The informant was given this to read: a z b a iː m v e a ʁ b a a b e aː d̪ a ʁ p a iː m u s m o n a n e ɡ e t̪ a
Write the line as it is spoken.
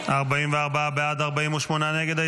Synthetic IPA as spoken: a ʁ b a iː m v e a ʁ b a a b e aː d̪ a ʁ b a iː m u ʃ m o n a n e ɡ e d̪ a